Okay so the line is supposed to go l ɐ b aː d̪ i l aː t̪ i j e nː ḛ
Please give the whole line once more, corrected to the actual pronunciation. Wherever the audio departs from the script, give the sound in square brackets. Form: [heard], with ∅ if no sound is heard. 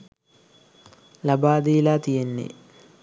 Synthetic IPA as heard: l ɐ b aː d̪ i l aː t̪ i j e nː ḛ